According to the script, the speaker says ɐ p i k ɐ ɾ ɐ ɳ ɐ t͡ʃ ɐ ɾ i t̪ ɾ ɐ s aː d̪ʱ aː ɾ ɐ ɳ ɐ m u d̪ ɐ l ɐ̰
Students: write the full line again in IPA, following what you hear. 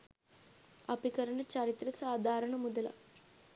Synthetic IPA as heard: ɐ p i k ɐ ɾ ɐ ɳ ɐ t͡ʃ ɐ ɾ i t̪ ɾ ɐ s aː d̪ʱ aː ɾ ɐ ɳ ɐ m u d̪ ɐ l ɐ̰